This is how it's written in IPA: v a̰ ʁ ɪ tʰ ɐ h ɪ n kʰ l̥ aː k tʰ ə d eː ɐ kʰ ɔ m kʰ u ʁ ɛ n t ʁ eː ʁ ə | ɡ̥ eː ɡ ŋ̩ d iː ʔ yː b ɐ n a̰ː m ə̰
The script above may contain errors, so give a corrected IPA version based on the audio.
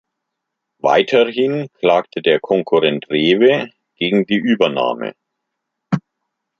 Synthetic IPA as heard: v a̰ ɪ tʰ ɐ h ɪ n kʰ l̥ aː k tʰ ə d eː ɐ kʰ ɔ ŋ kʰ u ʁ ɛ n t ʁ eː v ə | ɡ̥ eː ɡ ŋ̩ d iː ʔ yː b ɐ n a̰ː m ə̰